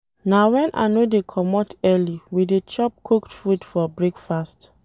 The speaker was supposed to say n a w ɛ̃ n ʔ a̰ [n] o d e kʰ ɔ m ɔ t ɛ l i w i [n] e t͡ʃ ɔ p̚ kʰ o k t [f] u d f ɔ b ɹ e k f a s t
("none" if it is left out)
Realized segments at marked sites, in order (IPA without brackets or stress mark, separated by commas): n, d, f